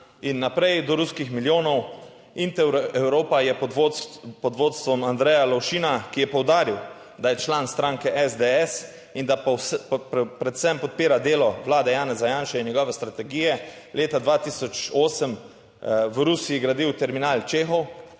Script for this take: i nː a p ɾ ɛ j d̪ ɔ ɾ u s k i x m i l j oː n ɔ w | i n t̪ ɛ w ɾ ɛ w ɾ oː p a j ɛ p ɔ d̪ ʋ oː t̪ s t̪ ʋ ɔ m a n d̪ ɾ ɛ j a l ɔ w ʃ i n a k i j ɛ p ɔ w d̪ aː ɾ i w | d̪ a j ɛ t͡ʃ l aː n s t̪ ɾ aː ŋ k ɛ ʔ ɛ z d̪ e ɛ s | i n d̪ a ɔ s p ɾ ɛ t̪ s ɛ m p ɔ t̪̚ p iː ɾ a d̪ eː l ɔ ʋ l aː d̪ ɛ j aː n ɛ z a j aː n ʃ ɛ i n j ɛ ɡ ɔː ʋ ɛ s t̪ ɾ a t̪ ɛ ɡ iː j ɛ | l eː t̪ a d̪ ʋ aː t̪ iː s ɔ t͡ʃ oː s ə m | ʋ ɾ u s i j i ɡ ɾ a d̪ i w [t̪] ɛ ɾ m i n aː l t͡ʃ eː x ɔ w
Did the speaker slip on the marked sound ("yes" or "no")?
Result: no